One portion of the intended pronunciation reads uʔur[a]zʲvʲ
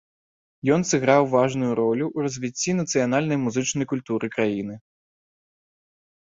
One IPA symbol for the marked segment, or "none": ɐ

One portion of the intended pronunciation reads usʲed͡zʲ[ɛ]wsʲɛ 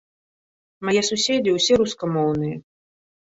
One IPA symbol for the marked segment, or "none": i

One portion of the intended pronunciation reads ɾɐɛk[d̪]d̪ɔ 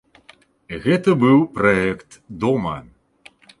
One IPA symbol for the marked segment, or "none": t̪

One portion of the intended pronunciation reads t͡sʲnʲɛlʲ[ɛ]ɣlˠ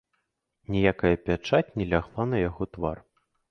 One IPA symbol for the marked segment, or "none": a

